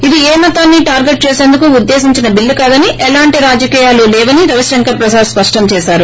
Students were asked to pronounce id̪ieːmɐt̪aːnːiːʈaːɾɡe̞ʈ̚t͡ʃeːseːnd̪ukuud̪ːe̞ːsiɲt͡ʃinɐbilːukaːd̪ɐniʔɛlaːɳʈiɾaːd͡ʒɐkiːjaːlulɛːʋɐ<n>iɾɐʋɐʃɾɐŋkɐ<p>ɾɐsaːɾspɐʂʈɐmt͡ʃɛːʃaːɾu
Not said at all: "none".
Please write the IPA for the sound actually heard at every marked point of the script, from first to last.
n, p

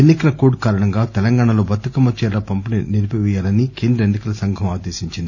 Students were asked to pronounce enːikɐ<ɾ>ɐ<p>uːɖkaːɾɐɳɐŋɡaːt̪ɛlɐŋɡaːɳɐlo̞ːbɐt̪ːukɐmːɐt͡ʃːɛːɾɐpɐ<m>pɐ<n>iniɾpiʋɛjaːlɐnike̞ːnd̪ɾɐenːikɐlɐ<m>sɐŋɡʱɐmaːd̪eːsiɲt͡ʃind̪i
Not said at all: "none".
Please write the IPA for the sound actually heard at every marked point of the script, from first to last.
l, k, m, n, none

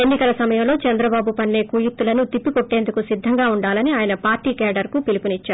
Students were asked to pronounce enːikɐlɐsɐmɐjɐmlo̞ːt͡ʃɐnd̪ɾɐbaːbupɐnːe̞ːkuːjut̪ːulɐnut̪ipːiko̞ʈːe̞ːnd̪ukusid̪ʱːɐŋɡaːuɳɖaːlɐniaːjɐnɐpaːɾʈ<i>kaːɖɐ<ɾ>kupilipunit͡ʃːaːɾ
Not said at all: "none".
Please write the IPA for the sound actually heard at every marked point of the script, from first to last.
iː, ɾ

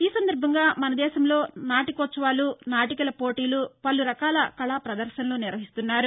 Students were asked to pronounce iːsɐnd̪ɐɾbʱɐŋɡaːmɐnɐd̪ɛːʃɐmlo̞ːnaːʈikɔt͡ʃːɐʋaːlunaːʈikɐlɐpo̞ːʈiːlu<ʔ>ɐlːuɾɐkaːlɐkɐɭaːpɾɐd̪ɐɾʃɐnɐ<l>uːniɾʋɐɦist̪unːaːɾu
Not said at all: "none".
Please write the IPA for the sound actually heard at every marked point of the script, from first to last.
p, l

